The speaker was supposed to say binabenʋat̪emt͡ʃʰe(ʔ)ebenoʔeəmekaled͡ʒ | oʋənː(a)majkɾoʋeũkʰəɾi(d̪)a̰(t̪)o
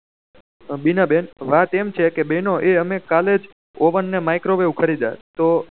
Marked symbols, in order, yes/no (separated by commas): no, no, yes, yes